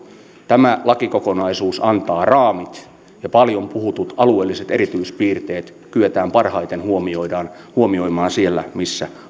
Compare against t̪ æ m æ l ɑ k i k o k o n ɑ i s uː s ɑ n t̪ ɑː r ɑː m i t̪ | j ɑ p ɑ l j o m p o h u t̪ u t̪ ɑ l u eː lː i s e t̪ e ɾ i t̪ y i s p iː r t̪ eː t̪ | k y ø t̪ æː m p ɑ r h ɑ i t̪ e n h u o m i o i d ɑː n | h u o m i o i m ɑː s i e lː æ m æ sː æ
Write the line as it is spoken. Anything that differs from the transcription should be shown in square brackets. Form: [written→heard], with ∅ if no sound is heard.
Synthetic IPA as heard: t̪ æ m æ l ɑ k i k o k o n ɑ i s uː s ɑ n t̪ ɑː r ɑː m i t̪ | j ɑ p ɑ l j o m p [o→u] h u t̪ u t̪ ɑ l u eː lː i s e t̪ e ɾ i t̪ y i s p iː r t̪ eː t̪ | k y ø t̪ æː m p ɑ r h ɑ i t̪ e n h u o m i o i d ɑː n | h u o m i o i m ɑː s i e lː æ m [æ→i] sː æ